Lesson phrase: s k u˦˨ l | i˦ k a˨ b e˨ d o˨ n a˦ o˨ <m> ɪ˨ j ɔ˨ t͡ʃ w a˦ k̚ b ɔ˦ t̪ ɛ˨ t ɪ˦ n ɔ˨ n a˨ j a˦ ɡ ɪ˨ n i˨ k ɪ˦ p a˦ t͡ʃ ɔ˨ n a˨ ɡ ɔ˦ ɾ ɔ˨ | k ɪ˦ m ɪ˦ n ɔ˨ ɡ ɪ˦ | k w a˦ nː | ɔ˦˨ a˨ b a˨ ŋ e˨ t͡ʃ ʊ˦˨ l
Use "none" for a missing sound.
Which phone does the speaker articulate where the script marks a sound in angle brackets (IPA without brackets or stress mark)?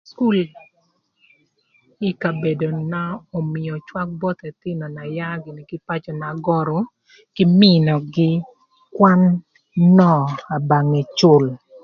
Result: m